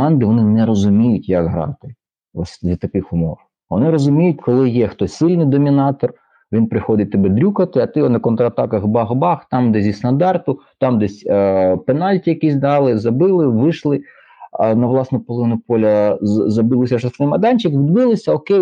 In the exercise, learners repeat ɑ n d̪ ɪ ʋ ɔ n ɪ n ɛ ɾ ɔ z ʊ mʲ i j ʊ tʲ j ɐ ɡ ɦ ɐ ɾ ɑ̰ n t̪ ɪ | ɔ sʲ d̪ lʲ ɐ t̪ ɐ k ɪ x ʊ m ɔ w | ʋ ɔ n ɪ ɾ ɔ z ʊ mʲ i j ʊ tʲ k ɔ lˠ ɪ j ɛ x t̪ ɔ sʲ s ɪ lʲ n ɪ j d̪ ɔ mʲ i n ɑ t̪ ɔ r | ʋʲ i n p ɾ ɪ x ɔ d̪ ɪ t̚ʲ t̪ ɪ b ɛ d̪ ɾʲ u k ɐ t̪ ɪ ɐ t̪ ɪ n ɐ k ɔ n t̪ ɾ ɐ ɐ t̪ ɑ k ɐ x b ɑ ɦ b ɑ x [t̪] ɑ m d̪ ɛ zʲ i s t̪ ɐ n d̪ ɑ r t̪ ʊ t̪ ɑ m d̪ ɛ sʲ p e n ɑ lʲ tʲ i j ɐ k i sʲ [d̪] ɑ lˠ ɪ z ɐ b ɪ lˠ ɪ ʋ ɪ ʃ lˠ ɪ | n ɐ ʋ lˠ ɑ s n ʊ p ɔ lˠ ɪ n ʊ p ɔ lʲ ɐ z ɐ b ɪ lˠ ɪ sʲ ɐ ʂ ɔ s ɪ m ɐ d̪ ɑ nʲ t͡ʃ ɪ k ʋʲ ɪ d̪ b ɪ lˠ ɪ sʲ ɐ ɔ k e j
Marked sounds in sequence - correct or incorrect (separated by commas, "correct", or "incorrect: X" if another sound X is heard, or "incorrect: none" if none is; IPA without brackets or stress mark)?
correct, correct